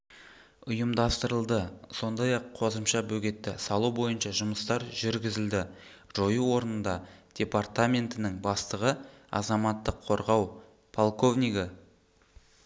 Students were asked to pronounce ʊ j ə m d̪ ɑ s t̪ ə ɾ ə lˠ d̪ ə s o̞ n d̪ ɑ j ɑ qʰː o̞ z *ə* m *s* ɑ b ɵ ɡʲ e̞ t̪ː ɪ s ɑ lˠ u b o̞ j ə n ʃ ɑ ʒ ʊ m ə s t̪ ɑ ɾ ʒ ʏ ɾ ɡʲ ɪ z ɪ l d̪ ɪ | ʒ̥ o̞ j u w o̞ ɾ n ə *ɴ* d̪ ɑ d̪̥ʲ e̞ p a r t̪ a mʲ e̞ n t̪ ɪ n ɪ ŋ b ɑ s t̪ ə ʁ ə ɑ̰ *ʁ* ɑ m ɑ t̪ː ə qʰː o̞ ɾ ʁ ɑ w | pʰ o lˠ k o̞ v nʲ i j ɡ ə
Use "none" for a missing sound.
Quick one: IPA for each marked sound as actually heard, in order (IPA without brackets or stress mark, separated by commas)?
ə, ʃ, n, z